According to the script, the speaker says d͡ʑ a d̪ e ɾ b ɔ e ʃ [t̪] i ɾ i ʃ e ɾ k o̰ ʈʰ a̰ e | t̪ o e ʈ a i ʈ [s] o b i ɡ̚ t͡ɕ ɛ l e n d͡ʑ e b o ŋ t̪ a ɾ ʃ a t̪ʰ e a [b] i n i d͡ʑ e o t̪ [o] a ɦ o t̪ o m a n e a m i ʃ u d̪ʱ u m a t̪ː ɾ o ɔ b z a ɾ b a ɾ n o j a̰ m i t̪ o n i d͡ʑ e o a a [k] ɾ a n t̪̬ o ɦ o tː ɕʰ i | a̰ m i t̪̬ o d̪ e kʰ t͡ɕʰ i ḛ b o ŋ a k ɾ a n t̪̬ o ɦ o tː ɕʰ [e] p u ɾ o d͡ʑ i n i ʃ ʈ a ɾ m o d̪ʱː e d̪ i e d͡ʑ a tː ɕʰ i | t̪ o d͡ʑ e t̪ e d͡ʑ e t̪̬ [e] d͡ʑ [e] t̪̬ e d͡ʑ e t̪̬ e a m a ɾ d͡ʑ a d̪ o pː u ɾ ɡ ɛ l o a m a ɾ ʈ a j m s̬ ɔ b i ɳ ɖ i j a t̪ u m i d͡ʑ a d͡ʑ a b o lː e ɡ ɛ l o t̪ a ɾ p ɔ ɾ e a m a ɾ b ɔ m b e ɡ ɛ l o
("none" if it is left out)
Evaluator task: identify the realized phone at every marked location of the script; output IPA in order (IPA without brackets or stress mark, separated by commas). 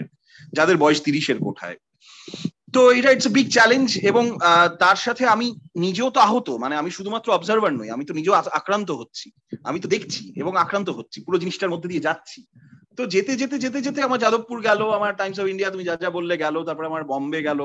t̪, s, m, o, k, i, e, e